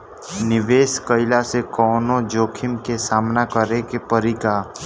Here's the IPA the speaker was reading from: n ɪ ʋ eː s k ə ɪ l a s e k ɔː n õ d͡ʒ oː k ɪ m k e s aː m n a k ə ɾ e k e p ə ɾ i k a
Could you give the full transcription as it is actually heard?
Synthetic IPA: n ɪ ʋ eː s k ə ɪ l a s e k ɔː n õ d͡ʒ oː kʰ ɪ m k e s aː m n a k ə ɾ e k e p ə ɾ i k a

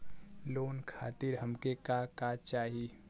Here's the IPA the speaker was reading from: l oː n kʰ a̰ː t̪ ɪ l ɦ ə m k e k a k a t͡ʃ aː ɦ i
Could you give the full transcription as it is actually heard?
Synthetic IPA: l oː n kʰ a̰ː t̪ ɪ ɾ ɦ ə m k e k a k a t͡ʃ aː ɦ i

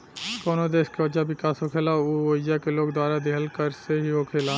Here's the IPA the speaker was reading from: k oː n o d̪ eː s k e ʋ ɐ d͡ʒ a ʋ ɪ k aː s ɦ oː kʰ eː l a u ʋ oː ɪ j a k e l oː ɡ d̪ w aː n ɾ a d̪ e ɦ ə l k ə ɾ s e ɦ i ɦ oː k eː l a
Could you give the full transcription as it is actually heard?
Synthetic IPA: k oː n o d̪ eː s k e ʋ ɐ d͡ʒ a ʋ ɪ k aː s ɦ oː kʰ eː l a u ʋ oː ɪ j a k e l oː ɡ d̪ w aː ɾ a d̪ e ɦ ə l k ə ɾ s e ɦ i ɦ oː kʰ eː l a

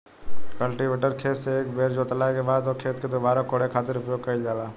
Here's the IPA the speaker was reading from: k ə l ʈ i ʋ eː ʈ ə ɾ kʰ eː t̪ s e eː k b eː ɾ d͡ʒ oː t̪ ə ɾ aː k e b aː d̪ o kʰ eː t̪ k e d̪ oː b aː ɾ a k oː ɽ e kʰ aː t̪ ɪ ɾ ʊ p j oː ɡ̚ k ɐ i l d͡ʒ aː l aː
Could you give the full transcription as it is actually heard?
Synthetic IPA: k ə l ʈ i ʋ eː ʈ ə ɾ kʰ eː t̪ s e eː k b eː ɾ d͡ʒ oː t̪ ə l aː k e b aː d̪ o kʰ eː t̪ k e d̪ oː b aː ɾ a k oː ɽ e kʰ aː t̪ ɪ ɾ ʊ p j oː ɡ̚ k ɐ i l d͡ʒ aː l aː

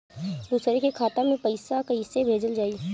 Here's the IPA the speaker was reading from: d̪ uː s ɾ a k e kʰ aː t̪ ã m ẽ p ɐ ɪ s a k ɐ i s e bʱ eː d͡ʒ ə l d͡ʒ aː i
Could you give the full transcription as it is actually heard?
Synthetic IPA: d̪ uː s ɾ e k e kʰ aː t̪ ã m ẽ p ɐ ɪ s a k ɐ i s e bʱ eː d͡ʒ ə l d͡ʒ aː i

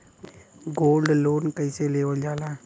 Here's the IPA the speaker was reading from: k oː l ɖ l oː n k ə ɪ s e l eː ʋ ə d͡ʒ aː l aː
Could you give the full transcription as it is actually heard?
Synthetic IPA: ɡ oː l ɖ l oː n k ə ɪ s e l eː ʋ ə d͡ʒ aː l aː

